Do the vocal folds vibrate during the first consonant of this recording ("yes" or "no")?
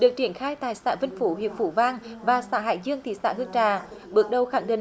yes